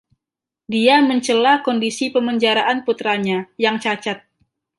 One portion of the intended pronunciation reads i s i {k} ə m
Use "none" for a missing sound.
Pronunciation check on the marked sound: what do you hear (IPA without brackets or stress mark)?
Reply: p